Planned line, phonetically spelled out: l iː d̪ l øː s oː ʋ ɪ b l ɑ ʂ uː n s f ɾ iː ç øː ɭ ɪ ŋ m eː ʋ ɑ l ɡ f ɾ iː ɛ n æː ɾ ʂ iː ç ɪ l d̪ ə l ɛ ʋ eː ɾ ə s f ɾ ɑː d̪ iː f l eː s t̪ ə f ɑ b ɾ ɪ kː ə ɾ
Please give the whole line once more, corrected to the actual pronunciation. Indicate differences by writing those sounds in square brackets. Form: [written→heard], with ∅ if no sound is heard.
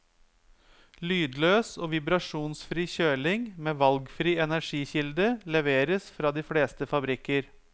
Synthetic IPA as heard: l [iː→yː] d̪ l øː s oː ʋ ɪ b [l→ɾ] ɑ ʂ uː n s f ɾ iː ç øː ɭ ɪ ŋ m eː ʋ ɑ l ɡ f ɾ iː ɛ n [æː→æ] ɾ ʂ iː ç ɪ l d̪ ə l ɛ ʋ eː ɾ ə s f ɾ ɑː d̪ iː f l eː s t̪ ə f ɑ b ɾ ɪ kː ə ɾ